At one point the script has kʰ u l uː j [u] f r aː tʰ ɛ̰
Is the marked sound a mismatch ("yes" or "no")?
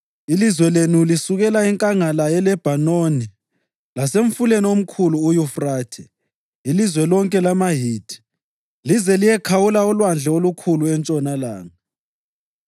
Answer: no